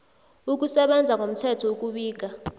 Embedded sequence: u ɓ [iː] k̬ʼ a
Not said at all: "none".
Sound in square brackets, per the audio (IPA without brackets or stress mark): iː